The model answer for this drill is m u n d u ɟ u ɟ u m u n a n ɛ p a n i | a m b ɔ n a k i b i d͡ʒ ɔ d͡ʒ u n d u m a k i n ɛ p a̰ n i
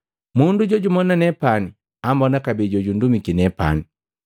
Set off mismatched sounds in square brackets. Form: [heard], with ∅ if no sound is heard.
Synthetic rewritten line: m u n d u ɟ [ɔ] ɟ u m [ɔ] n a n ɛ p a n i | a m b ɔ n a k [a] b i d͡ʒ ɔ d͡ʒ u n d u m [i] k i n ɛ p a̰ n i